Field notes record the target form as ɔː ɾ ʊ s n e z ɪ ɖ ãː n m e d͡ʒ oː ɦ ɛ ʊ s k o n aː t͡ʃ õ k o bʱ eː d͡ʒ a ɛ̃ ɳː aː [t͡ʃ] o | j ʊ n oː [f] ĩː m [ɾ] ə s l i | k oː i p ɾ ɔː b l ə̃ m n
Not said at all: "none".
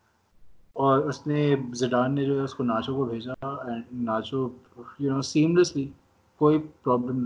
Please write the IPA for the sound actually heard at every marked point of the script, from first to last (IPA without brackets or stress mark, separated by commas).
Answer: t͡ʃ, s, l